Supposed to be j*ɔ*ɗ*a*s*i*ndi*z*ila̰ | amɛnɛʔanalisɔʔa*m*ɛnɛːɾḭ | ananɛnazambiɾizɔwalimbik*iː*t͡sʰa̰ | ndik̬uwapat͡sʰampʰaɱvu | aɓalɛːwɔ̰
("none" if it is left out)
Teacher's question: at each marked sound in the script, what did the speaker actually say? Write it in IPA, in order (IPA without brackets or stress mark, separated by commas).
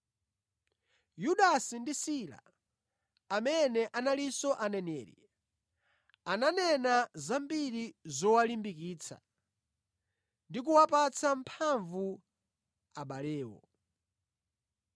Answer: u, a, i, s, n, iː